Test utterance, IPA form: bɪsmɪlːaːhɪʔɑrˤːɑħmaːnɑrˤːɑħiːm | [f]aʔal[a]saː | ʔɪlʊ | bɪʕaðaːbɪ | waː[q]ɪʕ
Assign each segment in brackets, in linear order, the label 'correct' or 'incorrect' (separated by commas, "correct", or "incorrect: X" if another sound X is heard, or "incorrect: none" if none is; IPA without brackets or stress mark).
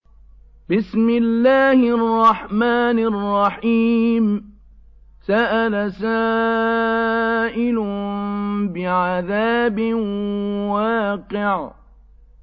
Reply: incorrect: s, correct, correct